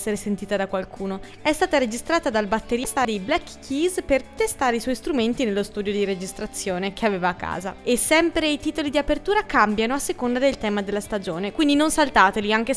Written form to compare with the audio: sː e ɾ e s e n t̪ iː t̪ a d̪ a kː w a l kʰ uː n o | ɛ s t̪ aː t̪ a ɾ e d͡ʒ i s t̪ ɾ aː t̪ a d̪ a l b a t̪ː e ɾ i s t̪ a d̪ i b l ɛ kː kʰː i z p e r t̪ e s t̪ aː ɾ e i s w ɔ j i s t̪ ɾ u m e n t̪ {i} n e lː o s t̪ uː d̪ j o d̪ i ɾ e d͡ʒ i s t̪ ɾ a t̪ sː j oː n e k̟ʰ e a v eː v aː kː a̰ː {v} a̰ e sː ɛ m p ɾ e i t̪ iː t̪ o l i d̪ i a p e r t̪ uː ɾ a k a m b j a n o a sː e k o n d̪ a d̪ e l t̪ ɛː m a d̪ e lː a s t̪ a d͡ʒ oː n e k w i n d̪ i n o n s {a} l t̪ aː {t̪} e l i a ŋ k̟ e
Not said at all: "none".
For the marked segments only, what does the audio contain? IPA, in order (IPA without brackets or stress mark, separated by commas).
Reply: i, z, a, t̪